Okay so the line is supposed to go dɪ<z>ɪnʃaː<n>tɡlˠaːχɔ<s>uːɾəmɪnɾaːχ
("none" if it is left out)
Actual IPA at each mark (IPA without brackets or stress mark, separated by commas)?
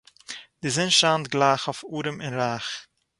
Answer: z, n, f